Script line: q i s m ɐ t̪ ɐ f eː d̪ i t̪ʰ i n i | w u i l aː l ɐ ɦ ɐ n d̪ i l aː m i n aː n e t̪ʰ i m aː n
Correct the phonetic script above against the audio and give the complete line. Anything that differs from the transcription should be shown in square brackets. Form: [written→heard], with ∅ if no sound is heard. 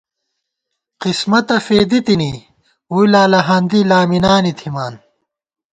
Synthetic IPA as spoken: q i s m ɐ t̪ ɐ f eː d̪ i [t̪ʰ→t̪] i n i | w u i l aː l ɐ ɦ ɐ n d̪ i l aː m i n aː n [e→i] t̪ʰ i m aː n

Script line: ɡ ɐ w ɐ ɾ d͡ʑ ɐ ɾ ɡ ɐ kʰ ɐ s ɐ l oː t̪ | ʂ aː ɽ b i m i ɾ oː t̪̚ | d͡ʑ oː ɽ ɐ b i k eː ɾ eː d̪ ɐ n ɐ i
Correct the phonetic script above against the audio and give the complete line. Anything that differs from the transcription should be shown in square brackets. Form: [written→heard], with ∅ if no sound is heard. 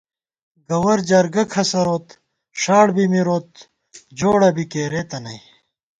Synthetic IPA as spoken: ɡ ɐ w ɐ ɾ d͡ʑ ɐ ɾ ɡ ɐ kʰ ɐ s ɐ [l→ɾ] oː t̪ | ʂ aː ɽ b i m i ɾ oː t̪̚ | d͡ʑ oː ɽ ɐ b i k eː ɾ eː [d̪→t̪] ɐ n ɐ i

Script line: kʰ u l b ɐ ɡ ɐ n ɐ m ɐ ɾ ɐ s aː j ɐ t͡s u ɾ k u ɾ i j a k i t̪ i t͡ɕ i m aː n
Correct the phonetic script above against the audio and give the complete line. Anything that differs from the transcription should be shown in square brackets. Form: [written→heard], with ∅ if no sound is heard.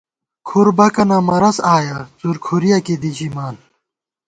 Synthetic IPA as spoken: kʰ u [l→ɾ] b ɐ [ɡ→k] ɐ n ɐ m ɐ ɾ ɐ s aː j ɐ t͡s u ɾ [k→kʰ] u ɾ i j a k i [t̪→d̪] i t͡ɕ i m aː n

